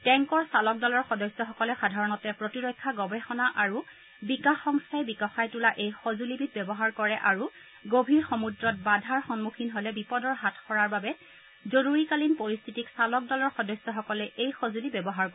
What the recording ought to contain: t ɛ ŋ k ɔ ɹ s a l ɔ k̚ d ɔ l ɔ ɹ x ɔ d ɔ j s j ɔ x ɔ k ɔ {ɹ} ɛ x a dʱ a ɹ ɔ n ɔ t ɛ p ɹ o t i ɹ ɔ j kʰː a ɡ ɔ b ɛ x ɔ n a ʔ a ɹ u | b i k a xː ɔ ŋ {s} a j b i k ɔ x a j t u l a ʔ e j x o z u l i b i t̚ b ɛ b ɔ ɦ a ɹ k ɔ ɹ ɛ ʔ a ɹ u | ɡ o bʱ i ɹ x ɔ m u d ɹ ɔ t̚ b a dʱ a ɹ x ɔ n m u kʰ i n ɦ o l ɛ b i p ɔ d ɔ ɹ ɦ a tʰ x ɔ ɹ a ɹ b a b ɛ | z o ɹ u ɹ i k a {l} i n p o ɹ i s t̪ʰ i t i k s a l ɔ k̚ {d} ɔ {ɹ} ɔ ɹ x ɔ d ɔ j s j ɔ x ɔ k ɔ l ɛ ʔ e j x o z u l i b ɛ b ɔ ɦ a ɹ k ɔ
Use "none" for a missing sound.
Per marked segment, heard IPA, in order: l, s, l, d, l

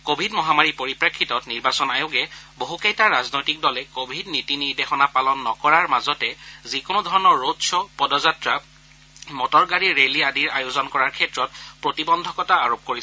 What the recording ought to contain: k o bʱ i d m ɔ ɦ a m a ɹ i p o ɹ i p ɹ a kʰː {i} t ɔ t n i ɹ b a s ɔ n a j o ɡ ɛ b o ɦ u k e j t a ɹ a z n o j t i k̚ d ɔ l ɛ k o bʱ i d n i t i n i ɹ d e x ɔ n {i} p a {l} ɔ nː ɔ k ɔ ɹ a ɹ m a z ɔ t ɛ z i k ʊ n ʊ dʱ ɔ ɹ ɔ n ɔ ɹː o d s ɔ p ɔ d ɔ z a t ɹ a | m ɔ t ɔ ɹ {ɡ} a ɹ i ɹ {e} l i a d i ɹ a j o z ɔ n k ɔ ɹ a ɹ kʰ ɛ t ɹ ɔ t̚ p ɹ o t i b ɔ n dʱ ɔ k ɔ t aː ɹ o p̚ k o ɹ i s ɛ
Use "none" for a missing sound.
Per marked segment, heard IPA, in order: i, a, l, ɡ, e

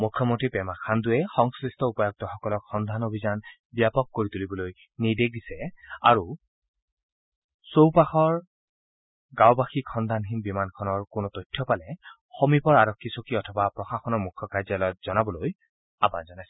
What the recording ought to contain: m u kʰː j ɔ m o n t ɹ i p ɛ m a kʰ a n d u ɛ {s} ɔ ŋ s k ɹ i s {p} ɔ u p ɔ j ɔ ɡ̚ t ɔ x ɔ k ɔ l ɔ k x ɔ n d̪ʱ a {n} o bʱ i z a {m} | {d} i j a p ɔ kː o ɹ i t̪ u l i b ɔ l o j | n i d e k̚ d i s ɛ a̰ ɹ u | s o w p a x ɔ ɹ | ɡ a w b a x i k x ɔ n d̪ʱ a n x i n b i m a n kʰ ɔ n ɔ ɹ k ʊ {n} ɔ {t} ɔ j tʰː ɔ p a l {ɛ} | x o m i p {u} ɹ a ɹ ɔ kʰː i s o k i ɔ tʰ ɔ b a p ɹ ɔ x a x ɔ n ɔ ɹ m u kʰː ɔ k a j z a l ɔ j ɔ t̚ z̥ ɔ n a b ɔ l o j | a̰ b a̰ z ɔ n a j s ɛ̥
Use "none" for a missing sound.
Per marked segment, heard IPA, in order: x, t, n, n, b, n, t, ɛ, ɔ

